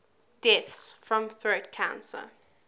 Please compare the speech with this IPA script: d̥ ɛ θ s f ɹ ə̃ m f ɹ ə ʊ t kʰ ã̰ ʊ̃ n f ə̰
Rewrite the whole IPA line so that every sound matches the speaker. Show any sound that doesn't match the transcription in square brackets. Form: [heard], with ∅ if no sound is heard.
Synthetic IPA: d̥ ɛ θ s f ɹ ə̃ m [θ] ɹ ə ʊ t kʰ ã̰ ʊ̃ n [s] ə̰